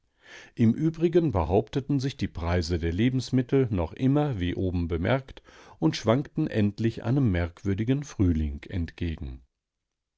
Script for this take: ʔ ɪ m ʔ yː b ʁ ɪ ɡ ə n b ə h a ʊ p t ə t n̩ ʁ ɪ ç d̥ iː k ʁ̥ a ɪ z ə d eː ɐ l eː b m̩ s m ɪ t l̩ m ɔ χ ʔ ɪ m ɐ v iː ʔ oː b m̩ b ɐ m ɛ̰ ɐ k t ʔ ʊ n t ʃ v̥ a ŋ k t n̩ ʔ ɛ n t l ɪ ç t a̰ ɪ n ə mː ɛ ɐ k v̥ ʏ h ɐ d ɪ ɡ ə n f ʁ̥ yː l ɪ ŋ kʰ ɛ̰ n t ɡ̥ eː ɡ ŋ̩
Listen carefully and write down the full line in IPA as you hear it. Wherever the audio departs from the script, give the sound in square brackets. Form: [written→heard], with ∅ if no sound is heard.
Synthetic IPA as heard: ʔ ɪ m ʔ yː b ʁ ɪ ɡ ə n b ə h a ʊ p t ə t n̩ [ʁ→z] ɪ ç d̥ iː [k→p] ʁ̥ a ɪ z ə d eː ɐ l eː b m̩ s m ɪ t l̩ [m→n] ɔ χ ʔ ɪ m ɐ v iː ʔ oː b m̩ b [ɐ→ə] m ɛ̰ ɐ k t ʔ ʊ n t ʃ v̥ a ŋ k t n̩ ʔ ɛ n t l ɪ ç [t→ʔ] a̰ ɪ n ə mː ɛ ɐ k v̥ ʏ [h→∅] ɐ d ɪ ɡ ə n f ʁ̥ yː l ɪ ŋ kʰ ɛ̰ n t ɡ̥ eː ɡ ŋ̩